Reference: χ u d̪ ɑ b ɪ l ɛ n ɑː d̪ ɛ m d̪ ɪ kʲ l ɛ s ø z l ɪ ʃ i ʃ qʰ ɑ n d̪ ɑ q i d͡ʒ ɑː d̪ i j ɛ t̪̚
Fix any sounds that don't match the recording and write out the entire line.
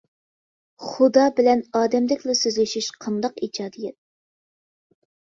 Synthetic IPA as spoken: χ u d̪ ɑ b ɪ l ɛ n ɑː d̪ ɛ m d̪ ɪ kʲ l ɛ s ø z l ɪ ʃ i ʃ qʰ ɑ n d̪ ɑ q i d͡ʒ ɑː d̪ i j ɛ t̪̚